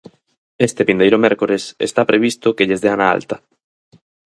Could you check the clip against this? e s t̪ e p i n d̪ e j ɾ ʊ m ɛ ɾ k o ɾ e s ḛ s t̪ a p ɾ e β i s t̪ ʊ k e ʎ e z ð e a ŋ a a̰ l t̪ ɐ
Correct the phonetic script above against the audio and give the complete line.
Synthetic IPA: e s t̪ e p i n d̪ e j ɾ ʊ m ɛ ɾ k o ɾ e s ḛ s t̪ a p ɾ e β i s t̪ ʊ k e ʎ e z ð e a n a a̰ l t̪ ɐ